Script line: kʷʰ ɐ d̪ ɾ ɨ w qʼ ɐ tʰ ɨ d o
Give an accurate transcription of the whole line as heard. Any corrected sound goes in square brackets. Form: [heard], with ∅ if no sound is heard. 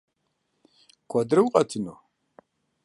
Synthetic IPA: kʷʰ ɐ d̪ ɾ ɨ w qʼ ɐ tʰ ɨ [n] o